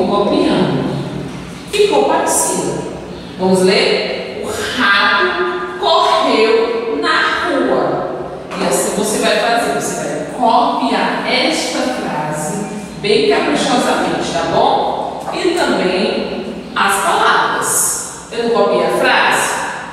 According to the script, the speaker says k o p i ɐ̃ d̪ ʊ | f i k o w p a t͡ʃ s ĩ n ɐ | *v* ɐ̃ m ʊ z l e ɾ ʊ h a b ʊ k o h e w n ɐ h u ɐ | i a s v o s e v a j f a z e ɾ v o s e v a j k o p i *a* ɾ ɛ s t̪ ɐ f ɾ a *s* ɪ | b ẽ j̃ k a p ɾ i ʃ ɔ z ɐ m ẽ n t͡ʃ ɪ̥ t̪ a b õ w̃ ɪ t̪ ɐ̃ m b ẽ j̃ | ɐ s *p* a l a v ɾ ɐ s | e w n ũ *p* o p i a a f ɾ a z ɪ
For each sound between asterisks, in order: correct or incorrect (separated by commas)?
correct, correct, incorrect, correct, incorrect